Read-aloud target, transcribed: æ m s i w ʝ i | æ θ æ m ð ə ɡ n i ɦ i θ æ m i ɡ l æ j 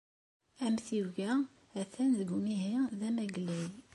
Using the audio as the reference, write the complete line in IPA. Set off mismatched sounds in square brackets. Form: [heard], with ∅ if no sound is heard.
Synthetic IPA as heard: æ m [θ] i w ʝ [æ] | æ θ æ [n] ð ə ɡ [m] i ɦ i [ð] æ m [æ] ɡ l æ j